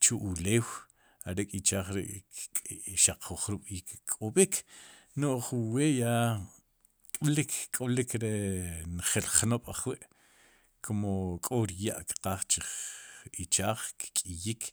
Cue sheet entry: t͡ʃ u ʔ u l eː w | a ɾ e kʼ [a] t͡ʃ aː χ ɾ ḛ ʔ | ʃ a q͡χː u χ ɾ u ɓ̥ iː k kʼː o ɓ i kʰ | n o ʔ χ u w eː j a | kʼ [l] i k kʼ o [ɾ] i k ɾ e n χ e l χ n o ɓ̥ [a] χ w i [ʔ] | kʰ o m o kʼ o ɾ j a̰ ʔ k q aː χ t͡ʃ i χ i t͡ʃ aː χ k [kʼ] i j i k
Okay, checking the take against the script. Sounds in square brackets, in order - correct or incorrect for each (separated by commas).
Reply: incorrect, correct, incorrect, correct, correct, correct